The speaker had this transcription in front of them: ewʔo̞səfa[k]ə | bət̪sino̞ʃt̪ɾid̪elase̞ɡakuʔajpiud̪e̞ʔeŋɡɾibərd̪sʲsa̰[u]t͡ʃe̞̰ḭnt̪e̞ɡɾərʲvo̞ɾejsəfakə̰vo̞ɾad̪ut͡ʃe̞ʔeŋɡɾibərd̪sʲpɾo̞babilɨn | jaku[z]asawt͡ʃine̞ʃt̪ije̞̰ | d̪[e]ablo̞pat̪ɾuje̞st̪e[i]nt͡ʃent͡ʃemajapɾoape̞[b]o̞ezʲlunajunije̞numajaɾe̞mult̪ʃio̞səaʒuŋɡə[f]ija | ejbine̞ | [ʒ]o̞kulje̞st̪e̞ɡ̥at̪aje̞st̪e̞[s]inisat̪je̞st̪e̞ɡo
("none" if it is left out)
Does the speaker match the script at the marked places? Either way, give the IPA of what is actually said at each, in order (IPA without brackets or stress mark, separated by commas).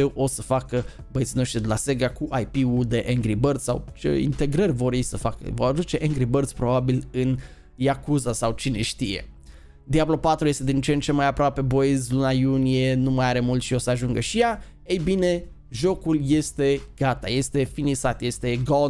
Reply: k, w, z, i, i, b, ʃ, ʒ, f